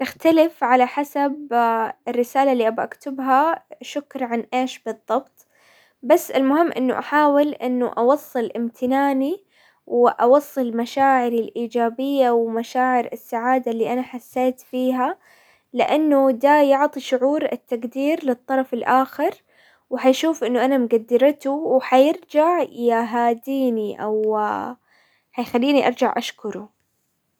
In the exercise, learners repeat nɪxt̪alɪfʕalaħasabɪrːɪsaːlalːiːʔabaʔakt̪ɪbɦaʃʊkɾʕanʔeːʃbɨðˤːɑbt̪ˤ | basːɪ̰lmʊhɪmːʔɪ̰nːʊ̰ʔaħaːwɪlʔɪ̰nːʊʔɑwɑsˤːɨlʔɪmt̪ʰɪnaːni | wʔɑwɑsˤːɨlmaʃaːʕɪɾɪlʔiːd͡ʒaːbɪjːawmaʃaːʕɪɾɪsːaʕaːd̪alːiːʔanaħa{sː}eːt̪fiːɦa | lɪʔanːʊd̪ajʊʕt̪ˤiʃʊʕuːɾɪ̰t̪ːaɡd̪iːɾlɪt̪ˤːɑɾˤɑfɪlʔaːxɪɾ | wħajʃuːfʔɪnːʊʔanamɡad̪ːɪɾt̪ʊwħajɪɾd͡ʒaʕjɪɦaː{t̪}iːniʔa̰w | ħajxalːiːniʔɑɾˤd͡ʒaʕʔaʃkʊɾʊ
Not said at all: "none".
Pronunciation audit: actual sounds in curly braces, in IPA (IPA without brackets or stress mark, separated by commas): sː, d̪